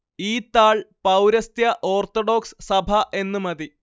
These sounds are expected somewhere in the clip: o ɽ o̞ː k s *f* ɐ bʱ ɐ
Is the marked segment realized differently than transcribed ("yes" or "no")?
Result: yes